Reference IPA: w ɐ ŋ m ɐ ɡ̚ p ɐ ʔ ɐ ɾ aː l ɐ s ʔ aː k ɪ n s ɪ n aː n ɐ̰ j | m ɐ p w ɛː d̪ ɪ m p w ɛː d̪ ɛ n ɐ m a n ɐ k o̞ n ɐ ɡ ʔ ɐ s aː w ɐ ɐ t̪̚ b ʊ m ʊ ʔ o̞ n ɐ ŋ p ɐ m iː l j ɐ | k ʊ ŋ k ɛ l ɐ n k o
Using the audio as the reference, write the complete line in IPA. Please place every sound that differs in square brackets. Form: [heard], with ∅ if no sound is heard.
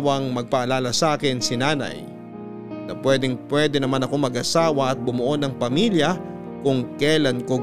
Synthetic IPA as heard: w ɐ ŋ m ɐ ɡ̚ p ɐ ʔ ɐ [l] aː l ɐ s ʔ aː k ɪ n s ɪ n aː n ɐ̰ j | [n] ɐ p w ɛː d̪ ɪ [ŋ] p w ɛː d̪ ɛ n ɐ m a n ɐ k o̞ [m] ɐ ɡ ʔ ɐ s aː w ɐ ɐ t̪̚ b ʊ m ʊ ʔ o̞ n ɐ ŋ p ɐ m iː l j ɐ | k ʊ ŋ k ɛ l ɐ n k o